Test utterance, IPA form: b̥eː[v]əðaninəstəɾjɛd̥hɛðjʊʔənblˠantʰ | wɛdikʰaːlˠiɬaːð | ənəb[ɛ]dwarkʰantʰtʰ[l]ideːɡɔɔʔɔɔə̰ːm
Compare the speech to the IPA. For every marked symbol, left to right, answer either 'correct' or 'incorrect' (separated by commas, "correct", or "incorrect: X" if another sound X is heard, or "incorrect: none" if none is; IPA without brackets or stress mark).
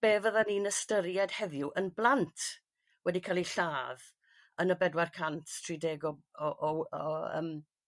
correct, correct, incorrect: r